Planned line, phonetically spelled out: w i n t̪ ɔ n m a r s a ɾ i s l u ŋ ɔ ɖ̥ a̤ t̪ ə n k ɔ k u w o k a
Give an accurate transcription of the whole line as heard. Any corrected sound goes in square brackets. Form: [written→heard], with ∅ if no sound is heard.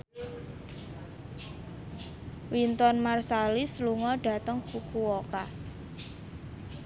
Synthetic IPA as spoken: w i n t̪ ɔ n m a r s a [ɾ→l] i s l u ŋ ɔ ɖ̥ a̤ t̪ ə [n→ŋ] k [ɔ→u] k u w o k a